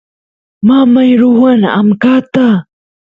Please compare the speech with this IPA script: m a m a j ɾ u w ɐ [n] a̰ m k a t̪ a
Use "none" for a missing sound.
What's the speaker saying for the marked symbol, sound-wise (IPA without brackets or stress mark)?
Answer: n